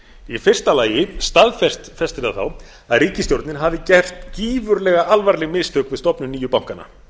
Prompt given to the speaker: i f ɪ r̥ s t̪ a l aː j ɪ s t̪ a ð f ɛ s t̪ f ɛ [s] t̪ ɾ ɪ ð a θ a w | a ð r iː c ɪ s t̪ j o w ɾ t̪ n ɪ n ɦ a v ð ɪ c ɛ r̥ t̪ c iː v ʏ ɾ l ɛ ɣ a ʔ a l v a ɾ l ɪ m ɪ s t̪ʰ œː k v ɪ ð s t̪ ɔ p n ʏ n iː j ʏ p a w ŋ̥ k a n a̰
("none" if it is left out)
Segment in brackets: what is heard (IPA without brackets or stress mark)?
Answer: s